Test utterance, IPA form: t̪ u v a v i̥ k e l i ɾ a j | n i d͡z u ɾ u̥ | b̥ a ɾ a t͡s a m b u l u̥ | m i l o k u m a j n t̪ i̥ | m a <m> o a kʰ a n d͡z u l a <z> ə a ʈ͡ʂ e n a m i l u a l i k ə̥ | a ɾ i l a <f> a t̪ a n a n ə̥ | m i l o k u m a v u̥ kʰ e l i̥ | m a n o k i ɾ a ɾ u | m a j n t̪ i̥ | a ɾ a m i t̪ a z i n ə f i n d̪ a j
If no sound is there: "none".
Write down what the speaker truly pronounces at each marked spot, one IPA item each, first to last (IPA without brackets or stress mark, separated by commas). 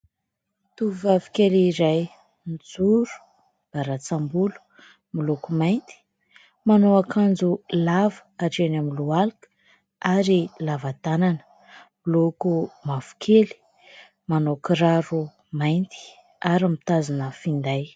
n, v, v